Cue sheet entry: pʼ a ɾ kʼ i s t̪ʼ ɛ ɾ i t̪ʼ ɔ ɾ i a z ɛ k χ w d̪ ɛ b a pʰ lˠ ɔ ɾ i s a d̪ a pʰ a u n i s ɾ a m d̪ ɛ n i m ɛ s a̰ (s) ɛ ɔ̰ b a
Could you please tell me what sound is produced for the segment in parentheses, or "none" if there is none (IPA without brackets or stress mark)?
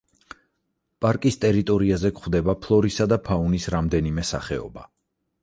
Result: χ